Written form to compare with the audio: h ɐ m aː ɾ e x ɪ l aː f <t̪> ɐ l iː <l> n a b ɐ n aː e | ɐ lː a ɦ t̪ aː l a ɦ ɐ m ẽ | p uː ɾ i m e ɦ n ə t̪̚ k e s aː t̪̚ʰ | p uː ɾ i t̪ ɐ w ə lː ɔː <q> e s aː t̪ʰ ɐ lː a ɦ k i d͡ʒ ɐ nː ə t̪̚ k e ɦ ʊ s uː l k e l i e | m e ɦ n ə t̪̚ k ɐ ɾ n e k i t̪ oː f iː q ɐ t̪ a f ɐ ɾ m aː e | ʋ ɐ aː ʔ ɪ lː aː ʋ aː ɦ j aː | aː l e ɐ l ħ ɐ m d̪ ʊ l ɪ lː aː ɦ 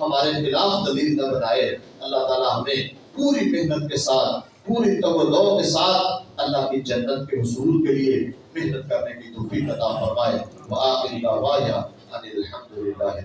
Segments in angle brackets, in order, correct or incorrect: incorrect, correct, incorrect

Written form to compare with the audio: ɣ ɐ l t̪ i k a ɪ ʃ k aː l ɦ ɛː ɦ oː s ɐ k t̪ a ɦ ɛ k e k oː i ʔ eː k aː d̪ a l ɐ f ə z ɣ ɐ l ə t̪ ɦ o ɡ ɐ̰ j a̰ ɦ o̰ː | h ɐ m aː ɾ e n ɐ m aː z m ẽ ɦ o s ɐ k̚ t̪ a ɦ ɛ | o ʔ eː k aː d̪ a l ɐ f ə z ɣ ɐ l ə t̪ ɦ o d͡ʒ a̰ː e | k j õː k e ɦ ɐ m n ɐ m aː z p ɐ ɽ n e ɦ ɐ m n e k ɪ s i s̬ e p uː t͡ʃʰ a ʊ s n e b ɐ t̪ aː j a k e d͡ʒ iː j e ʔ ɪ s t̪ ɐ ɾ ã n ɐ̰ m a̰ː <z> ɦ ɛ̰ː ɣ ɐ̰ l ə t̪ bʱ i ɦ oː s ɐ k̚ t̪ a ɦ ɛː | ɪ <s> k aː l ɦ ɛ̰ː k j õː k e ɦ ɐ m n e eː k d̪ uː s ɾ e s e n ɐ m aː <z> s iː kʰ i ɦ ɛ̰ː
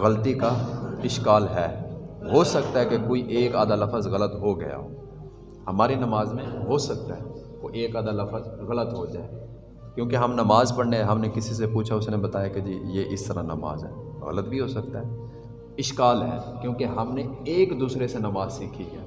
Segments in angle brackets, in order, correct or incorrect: correct, incorrect, correct

